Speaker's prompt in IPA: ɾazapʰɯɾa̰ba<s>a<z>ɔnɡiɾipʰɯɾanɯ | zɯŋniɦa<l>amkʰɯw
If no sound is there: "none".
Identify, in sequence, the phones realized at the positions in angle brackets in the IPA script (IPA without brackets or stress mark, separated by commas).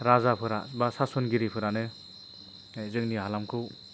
s, s, l